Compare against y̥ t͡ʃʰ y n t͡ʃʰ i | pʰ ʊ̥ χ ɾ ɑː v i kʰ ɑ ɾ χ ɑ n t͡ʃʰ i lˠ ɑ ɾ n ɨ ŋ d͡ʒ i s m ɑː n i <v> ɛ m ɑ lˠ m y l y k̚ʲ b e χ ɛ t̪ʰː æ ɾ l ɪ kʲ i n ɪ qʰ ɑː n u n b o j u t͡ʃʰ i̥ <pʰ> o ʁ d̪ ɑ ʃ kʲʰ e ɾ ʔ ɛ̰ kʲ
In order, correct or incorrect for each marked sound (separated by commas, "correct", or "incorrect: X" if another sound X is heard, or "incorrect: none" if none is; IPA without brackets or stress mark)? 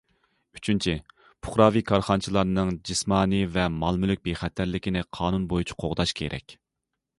correct, incorrect: qʰ